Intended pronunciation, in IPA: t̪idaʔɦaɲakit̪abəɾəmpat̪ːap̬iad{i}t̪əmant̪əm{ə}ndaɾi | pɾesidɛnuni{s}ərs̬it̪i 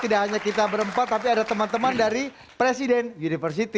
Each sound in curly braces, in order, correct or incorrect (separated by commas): incorrect, incorrect, incorrect